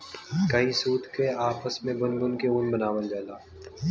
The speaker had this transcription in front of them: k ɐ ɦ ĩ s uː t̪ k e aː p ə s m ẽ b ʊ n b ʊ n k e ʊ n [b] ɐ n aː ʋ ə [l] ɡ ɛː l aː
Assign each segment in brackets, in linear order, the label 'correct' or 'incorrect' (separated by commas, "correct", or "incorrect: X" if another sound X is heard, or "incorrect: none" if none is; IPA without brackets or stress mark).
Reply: correct, correct